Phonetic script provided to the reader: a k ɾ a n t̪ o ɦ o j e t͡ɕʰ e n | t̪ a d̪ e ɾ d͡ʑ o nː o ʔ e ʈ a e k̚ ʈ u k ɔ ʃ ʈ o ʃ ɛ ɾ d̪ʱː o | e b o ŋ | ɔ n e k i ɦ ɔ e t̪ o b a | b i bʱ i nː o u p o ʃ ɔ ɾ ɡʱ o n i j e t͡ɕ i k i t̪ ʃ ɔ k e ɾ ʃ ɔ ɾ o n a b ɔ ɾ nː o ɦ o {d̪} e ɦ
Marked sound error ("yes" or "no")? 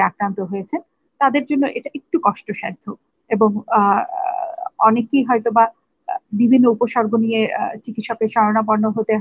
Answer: yes